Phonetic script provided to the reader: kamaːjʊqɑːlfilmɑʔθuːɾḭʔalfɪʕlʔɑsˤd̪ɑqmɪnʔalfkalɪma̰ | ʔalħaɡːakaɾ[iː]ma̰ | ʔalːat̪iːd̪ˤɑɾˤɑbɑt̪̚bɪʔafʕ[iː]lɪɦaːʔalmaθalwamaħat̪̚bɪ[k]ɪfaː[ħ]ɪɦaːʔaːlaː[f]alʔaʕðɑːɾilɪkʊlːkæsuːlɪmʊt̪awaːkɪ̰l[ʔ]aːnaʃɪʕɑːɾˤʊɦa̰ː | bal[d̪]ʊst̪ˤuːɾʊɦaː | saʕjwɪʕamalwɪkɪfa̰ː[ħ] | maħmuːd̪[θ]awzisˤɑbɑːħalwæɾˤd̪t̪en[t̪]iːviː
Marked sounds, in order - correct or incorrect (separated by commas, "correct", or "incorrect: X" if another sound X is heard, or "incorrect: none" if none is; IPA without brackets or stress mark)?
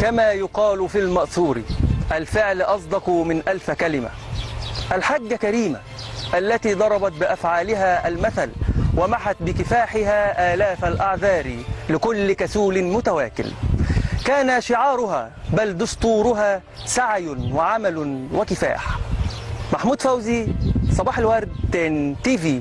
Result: correct, incorrect: aː, correct, correct, correct, incorrect: k, correct, correct, incorrect: f, correct